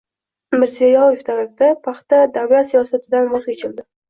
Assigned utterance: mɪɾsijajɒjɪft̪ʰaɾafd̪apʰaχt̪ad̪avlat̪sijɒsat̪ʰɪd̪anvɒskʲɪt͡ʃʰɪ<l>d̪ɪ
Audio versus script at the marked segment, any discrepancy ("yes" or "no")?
no